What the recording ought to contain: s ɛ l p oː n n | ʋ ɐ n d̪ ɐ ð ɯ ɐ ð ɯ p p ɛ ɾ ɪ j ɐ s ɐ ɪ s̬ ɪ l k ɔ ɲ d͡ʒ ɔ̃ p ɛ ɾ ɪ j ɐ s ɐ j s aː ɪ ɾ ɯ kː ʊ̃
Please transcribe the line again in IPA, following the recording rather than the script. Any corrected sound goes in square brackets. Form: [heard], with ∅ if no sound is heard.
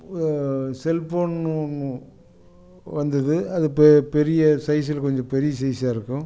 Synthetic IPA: s ɛ l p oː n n | ʋ ɐ n d̪ ɐ ð ɯ ɐ ð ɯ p p ɛ ɾ ɪ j ɐ s ɐ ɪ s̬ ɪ l k ɔ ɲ d͡ʒ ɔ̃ p ɛ ɾ ɪ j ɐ s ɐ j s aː ɪ ɾ ɯ kː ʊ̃

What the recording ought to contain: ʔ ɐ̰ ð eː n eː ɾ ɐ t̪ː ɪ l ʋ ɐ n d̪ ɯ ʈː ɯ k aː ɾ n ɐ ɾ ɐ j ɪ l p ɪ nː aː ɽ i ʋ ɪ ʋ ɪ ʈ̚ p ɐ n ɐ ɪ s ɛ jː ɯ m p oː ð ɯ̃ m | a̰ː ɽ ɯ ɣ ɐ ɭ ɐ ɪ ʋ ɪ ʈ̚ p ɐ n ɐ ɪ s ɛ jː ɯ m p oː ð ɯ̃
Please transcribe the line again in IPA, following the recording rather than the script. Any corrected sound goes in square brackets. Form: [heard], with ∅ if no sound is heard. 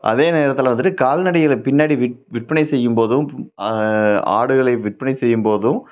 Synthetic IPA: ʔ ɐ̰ ð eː n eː ɾ ɐ t̪ː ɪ l ʋ ɐ n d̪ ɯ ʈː ɯ k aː [l] n ɐ [ɽ] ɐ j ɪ l p ɪ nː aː ɽ i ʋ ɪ ʋ ɪ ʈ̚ p ɐ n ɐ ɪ s ɛ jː ɯ m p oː ð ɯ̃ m | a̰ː ɽ ɯ ɣ ɐ ɭ ɐ ɪ ʋ ɪ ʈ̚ p ɐ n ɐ ɪ s ɛ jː ɯ m p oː ð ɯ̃

